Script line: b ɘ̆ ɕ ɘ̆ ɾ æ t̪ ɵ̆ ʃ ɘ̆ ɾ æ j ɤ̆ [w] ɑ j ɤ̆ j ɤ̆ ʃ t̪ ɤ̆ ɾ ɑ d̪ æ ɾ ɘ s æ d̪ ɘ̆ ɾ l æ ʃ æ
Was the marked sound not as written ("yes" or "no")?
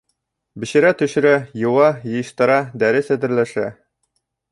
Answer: no